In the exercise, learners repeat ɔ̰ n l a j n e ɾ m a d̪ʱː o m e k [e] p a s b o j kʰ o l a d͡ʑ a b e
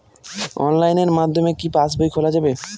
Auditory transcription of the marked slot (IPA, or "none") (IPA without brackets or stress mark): i